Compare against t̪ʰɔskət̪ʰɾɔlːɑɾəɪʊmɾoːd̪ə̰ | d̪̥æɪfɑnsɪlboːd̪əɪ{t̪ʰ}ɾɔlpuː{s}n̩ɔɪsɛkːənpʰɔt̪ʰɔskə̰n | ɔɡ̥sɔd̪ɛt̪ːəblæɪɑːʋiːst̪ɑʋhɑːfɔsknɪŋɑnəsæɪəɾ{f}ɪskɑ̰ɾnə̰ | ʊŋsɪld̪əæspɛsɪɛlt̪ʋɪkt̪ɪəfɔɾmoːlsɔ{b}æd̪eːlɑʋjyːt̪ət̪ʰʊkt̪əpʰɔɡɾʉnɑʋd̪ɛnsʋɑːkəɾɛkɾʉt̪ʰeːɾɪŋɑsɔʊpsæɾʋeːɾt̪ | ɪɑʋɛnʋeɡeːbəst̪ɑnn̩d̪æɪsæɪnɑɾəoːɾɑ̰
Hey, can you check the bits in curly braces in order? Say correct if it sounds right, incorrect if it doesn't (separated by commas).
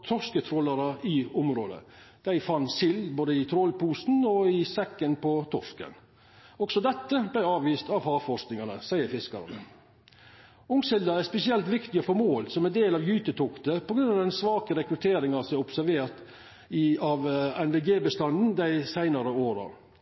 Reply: correct, correct, correct, incorrect